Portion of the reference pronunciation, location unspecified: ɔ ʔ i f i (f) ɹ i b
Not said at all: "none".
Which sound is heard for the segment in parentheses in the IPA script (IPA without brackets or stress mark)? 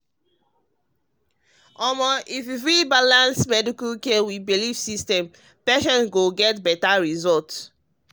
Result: f